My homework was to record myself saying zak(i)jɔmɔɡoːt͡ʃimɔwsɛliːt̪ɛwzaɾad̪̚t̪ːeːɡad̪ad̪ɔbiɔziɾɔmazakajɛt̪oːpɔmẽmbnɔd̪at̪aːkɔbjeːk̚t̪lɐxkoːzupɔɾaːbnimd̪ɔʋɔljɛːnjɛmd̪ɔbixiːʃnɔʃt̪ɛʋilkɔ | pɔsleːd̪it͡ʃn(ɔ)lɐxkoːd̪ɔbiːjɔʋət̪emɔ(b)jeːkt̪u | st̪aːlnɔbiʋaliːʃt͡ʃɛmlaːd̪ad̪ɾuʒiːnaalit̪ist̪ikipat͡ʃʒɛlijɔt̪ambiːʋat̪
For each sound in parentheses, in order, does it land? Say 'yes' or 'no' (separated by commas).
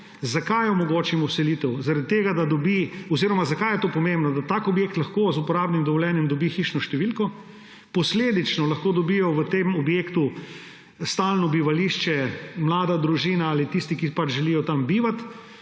no, yes, yes